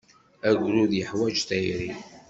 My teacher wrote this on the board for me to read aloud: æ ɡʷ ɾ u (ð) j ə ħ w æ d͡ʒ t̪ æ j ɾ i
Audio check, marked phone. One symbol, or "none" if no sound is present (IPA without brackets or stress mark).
ð